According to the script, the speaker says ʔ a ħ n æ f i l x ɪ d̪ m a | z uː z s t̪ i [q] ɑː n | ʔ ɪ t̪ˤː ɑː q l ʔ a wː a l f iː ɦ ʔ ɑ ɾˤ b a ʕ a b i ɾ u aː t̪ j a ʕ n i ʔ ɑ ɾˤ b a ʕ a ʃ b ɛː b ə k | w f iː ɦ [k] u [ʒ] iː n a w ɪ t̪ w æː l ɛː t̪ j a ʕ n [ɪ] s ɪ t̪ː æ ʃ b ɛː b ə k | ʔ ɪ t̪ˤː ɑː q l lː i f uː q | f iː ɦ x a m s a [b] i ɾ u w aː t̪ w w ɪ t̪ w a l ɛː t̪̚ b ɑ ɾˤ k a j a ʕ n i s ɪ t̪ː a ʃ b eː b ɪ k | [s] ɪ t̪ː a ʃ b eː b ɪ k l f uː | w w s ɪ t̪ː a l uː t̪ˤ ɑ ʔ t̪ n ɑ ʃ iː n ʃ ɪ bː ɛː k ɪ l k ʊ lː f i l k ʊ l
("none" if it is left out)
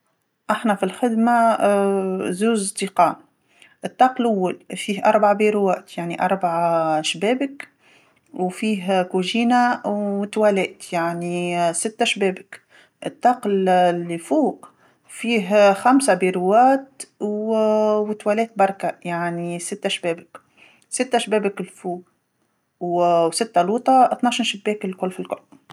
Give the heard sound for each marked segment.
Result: q, k, ʒ, i, b, s

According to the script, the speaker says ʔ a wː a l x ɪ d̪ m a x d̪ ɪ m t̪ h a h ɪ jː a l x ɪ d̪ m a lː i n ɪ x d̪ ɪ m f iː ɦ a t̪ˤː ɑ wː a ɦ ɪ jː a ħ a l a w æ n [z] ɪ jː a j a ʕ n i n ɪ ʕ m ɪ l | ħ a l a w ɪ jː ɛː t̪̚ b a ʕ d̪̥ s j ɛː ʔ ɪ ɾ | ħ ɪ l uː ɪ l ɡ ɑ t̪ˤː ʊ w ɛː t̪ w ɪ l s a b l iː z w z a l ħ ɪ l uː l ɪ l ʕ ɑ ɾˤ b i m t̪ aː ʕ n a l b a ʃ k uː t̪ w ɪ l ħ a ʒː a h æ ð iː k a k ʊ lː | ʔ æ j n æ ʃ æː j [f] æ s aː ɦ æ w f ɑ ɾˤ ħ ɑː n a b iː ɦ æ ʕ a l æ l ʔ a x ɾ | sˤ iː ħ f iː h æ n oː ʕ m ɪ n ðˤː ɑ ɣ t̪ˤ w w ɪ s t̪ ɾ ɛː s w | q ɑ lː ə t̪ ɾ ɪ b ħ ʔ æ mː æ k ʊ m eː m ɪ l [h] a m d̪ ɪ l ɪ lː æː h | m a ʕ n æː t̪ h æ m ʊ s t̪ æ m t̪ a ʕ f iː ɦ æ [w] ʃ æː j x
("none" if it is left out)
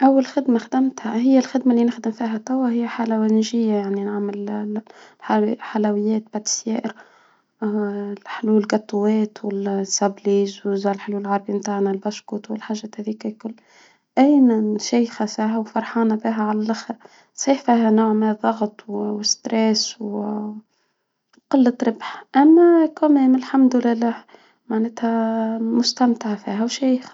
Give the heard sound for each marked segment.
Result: ʒ, x, ħ, w

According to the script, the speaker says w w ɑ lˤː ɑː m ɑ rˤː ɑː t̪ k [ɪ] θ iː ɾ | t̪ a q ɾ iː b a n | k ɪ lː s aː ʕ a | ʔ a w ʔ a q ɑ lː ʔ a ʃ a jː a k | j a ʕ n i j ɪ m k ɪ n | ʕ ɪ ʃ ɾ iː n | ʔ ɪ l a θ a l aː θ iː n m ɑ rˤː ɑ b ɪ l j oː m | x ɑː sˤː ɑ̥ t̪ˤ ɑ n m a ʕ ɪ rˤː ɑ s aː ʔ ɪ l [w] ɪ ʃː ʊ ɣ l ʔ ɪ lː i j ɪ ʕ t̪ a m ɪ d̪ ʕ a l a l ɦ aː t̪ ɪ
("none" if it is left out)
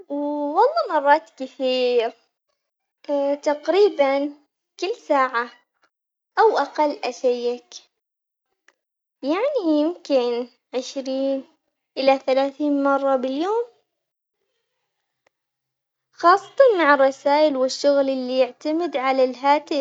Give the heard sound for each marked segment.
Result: ɪ, w

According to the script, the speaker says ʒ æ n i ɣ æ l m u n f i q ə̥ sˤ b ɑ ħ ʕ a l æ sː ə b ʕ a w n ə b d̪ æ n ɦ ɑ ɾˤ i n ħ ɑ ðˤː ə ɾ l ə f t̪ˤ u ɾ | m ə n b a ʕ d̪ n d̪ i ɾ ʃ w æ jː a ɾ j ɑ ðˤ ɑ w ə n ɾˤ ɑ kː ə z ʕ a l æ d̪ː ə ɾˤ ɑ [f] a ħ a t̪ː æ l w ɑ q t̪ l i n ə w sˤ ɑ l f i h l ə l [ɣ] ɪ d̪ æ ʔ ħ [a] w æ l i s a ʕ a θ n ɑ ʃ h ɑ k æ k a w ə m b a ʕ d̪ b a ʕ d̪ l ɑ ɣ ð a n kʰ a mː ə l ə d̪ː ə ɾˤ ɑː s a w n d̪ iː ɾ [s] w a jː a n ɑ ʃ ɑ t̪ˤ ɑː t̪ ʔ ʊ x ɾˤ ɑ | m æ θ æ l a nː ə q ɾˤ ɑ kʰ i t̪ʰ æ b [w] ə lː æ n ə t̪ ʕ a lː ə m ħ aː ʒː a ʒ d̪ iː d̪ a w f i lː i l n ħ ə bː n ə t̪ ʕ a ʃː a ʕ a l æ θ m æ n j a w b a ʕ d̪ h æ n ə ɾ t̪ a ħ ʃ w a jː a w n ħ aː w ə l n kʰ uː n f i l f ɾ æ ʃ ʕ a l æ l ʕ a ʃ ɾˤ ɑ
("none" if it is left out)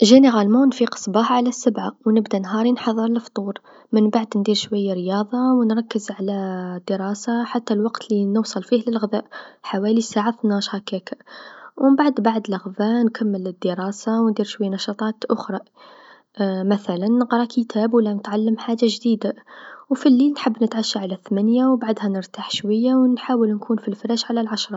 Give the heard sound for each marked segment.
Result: s, ɣ, a, ʃ, w

